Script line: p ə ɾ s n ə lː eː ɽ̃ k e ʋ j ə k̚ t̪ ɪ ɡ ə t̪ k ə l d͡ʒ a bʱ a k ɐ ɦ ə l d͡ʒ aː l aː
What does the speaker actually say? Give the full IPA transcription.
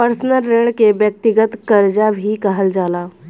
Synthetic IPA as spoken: p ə ɾ s n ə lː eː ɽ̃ k e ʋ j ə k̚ t̪ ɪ ɡ ə t̪ k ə ɾ d͡ʒ a bʱ i k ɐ ɦ ə l d͡ʒ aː l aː

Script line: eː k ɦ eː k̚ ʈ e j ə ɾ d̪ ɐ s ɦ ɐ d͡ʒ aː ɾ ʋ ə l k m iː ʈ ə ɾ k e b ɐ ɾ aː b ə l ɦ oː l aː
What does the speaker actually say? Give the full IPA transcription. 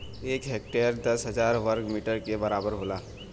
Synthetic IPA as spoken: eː k ɦ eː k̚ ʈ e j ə ɾ d̪ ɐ s ɦ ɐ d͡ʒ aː ɾ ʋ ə ɾ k m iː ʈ ə ɾ k e b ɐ ɾ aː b ə ɾ ɦ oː l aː

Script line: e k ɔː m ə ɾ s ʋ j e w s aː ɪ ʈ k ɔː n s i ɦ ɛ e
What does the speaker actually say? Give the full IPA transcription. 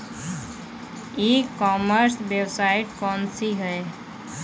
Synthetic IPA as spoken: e k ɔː m ə ɾ s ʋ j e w s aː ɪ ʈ k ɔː n s i ɦ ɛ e

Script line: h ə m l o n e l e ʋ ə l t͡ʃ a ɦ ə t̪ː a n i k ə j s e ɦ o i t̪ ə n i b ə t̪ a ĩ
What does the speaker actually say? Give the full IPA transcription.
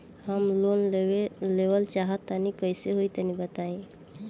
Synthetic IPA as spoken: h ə m l o n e l e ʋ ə l t͡ʃ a ɦ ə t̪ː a n i k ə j s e ɦ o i t̪ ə n i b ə t̪ a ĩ

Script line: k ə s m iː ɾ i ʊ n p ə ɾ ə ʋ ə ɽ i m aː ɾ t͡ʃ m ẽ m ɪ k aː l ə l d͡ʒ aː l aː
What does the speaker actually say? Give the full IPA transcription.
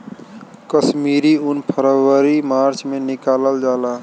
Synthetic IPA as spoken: k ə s m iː ɾ i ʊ n pʰ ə ɾ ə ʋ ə ɾ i m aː ɾ t͡ʃ m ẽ n ɪ k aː l ə l d͡ʒ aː l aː

